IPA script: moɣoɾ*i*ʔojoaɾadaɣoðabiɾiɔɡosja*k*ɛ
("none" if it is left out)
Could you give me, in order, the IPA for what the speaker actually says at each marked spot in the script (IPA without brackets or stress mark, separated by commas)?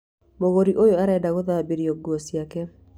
i, k